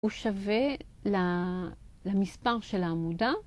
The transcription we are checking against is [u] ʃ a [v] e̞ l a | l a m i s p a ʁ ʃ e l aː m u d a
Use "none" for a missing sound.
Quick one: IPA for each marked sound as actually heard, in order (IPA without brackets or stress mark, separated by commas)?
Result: u, v